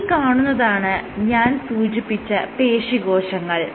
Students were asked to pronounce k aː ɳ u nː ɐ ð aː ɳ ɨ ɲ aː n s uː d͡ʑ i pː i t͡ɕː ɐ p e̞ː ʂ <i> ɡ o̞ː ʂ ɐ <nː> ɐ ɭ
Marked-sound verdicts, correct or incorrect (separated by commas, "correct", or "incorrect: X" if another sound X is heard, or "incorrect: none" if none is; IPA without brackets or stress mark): correct, incorrect: ŋː